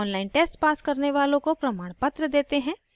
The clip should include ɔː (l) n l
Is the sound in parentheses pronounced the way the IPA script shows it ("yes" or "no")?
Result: no